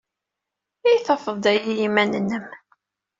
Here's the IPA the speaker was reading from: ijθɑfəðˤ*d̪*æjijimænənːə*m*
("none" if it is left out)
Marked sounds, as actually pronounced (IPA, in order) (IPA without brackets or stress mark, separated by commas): d̪, m